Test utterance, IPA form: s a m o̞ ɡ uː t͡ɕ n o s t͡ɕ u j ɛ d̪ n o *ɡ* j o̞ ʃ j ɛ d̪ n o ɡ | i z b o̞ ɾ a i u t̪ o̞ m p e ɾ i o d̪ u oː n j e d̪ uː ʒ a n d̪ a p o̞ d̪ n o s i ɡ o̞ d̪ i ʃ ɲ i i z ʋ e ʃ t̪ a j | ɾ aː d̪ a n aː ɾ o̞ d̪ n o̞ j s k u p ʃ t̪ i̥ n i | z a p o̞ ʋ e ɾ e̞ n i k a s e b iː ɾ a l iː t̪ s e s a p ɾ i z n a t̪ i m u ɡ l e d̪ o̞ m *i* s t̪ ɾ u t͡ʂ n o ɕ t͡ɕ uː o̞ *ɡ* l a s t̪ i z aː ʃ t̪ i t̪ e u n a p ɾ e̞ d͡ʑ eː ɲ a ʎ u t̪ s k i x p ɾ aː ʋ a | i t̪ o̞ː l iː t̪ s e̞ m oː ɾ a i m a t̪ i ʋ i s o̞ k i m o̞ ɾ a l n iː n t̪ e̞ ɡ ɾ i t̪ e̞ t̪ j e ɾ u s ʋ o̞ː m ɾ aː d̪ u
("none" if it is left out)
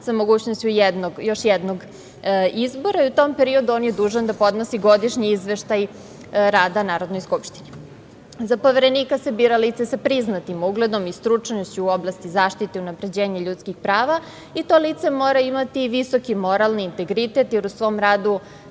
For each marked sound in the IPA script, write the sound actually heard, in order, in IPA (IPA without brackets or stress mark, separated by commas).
ɡ, i, b